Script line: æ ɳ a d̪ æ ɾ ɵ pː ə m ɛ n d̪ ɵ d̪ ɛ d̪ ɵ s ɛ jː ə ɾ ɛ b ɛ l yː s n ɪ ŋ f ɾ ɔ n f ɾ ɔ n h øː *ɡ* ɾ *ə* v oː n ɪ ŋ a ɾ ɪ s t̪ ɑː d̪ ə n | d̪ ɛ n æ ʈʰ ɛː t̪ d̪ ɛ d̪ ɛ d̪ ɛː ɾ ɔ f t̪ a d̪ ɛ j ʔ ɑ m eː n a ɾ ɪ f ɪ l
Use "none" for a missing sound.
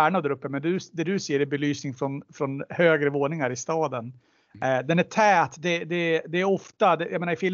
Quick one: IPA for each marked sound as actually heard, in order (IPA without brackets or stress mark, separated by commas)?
ɡ, ə